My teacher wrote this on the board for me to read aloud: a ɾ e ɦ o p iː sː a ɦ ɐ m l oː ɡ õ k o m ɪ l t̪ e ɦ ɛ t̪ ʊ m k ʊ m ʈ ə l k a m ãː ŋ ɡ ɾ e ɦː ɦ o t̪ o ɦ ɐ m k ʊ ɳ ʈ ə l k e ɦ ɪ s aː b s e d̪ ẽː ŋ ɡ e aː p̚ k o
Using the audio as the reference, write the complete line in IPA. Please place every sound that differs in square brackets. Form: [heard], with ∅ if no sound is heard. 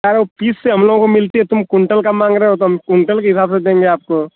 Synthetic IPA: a ɾ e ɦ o p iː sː [e] ɦ ɐ m l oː ɡ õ k o m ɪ l t̪ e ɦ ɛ t̪ ʊ m k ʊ [ɳ] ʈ ə l k a m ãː ŋ ɡ ɾ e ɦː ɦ o t̪ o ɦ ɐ m k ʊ ɳ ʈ ə l k e ɦ ɪ s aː b s e d̪ ẽː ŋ ɡ e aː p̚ k o